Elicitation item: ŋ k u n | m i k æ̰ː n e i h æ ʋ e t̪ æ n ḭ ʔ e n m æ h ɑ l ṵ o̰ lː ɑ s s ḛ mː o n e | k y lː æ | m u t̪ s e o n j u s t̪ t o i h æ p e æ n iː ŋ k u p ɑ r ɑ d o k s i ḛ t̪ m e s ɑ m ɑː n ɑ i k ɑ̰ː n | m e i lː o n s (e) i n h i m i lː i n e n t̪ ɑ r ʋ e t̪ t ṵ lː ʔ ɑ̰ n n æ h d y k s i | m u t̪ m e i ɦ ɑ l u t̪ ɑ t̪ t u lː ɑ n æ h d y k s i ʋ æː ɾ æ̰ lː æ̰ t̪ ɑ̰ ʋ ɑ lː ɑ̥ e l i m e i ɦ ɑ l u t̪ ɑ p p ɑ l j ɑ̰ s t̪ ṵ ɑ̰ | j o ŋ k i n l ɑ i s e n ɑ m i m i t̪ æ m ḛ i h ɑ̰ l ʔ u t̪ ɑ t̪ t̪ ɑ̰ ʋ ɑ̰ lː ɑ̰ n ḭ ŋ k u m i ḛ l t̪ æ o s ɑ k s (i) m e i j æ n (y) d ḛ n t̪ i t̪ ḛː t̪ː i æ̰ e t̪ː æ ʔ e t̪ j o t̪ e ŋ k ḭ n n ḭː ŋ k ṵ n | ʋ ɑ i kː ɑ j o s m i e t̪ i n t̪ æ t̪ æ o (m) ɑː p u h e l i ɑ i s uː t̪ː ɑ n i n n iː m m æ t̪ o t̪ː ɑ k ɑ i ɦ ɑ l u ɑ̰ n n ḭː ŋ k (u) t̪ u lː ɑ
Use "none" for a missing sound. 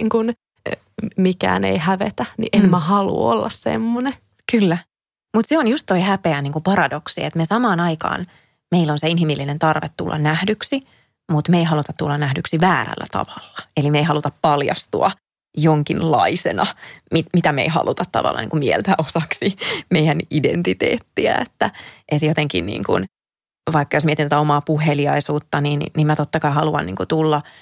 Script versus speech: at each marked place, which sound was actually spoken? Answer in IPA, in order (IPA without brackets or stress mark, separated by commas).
e, i, i, m, u